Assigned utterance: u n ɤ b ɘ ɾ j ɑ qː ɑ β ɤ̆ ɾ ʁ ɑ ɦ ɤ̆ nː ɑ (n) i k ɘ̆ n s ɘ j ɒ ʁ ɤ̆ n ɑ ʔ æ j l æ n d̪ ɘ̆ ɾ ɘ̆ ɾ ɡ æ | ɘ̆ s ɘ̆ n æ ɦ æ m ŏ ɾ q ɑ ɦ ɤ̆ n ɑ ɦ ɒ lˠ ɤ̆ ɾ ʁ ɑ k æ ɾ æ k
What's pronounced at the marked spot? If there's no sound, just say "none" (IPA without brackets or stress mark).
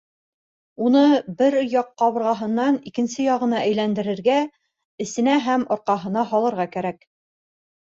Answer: n